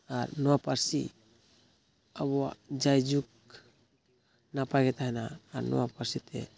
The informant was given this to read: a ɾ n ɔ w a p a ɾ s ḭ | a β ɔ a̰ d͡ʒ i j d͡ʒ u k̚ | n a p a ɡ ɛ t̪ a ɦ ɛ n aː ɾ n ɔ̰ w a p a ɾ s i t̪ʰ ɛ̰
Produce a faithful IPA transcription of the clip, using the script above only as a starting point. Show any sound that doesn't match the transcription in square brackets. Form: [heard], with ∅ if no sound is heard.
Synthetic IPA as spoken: a ɾ n ɔ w a p a ɾ s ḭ | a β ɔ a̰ d͡ʒ [a] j d͡ʒ u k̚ | n a p a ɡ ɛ t̪ a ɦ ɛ n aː ɾ n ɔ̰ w a p a ɾ s i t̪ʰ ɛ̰